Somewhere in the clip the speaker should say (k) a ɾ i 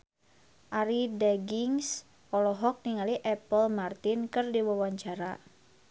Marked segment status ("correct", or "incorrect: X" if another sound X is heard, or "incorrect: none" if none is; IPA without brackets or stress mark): incorrect: ʔ